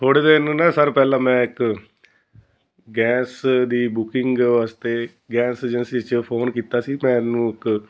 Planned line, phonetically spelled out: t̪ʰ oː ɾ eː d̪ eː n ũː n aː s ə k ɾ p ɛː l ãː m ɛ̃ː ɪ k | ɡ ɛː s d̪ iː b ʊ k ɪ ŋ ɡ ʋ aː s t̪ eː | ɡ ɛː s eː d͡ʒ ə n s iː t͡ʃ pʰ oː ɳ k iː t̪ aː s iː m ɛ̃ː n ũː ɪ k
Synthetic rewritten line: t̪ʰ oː ɽ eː d̪ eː n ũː n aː s ə ɾ p ɛː l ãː m ɛ̃ː ɪ k | ɡ ɛː s d̪ iː b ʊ k ɪ ŋ ɡ ʋ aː s t̪ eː | ɡ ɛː s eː d͡ʒ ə n s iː t͡ʃ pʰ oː n k iː t̪ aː s iː m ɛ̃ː n ũː ɪ k